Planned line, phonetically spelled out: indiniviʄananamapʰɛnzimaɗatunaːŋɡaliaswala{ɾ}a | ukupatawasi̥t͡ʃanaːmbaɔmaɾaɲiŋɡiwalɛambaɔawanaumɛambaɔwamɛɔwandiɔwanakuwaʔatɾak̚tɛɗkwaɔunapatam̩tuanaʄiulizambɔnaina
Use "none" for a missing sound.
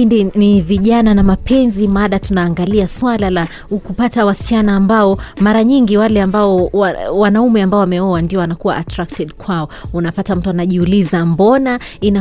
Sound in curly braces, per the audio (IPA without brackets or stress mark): l